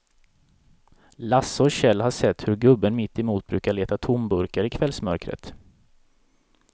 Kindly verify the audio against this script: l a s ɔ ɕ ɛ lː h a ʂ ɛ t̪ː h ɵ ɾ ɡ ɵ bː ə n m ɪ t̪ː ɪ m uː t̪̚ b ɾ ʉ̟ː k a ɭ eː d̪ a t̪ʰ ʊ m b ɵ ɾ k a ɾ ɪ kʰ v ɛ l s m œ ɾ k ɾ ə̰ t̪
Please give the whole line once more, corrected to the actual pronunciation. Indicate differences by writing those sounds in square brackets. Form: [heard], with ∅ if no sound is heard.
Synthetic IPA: l a s ɔ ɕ ɛ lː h a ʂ ɛ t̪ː h ɵ ɾ ɡ ɵ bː ə n m ɪ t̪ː ɪ m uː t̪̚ b ɾ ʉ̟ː k a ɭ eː [t̪] a t̪ʰ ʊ m b ɵ ɾ k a ɾ ɪ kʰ v ɛ l s m œ ɾ k ɾ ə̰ t̪